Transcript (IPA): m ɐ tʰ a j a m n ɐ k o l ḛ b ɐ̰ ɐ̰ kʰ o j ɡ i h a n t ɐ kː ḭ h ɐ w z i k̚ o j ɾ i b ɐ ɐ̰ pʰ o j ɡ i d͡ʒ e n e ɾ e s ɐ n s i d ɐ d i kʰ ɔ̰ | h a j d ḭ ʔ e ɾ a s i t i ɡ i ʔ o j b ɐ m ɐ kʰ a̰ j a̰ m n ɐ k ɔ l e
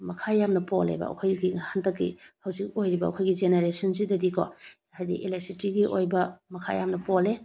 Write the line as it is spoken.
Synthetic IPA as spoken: m ɐ kʰ a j a m n ɐ p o l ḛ b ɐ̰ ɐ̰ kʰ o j ɡ i h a n t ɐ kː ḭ h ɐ w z i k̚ o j ɾ i b ɐ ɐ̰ kʰ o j ɡ i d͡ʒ e n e ɾ e s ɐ n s i d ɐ d i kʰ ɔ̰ | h a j d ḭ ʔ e l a s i t i ɡ i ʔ o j b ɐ m ɐ kʰ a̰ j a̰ m n ɐ p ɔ l e